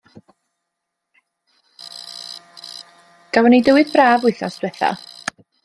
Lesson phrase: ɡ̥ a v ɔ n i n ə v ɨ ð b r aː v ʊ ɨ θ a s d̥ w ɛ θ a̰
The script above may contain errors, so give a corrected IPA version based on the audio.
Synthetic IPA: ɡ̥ a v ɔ n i d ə w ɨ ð b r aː v ʊ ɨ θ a s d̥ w ɛ θ a̰